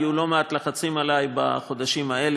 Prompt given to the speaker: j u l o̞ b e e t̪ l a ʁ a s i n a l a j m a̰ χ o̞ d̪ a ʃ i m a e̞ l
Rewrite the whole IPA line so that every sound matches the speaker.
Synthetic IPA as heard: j u l o̞ m e a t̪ l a χ a t͡s i m a l a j b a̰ χ o̞ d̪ a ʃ i m a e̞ l